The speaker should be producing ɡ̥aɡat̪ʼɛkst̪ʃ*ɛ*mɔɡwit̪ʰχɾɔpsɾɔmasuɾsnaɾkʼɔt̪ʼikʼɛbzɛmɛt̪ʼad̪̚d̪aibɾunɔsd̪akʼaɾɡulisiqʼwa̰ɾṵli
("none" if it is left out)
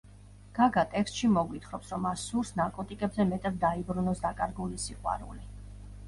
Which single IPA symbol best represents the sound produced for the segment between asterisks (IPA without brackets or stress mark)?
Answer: i